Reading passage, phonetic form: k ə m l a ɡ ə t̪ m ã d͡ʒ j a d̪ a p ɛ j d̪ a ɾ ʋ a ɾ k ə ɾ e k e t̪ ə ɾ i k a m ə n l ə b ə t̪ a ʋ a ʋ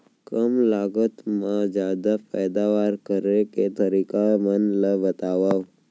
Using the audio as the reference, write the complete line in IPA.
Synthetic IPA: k ə m l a ɡ ə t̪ m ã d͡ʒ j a d̪ a p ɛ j d̪ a ʋ a ɾ k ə ɾ e k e t̪ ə ɾ i k a m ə n l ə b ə t̪ a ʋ a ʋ